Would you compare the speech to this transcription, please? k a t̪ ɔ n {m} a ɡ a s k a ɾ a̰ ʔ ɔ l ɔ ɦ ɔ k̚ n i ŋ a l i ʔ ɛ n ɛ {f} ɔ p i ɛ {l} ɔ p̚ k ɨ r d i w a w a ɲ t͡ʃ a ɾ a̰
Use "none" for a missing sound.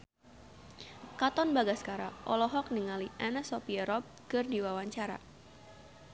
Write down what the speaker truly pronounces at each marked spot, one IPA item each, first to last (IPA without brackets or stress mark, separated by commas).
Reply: b, s, ɾ